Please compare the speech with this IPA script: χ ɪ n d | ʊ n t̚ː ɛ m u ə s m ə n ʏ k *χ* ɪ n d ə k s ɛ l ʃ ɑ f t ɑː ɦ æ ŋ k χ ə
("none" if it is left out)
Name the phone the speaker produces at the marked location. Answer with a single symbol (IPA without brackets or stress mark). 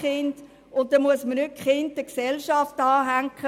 χ